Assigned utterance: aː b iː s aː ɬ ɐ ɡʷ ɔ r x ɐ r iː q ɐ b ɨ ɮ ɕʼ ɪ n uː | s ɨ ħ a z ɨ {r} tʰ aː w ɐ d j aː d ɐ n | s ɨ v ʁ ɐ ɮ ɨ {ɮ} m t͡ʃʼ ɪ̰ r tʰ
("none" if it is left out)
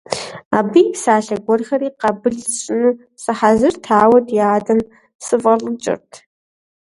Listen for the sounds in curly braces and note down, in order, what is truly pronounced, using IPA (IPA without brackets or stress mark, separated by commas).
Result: r, none